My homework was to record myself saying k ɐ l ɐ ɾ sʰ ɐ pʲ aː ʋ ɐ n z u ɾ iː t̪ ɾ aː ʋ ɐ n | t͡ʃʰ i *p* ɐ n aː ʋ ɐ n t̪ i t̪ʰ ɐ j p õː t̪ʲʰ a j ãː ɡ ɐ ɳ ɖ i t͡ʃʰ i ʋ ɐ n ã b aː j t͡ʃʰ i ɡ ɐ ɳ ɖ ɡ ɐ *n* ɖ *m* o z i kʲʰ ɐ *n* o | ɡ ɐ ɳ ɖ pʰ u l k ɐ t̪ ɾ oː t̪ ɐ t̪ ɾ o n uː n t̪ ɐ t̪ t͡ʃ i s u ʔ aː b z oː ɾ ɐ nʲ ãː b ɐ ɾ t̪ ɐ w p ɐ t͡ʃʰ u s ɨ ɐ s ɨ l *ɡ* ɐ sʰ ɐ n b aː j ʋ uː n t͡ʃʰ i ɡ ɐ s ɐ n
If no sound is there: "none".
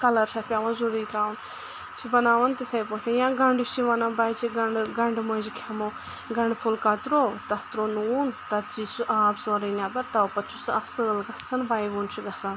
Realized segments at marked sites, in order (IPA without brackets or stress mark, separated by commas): b, ɳ, m, m, ɡ